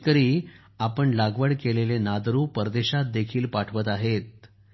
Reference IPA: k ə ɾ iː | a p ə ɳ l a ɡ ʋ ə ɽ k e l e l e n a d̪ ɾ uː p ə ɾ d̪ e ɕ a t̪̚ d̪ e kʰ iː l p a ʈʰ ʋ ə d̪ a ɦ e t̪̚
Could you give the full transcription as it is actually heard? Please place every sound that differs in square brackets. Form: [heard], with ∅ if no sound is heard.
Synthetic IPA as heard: k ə ɾ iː | a p ə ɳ l a ɡ ʋ ə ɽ k e l e l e n a d̪ ɾ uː p ə ɾ d̪ e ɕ a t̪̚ d̪ e kʰ iː l p a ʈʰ ʋ ə [t̪] a ɦ e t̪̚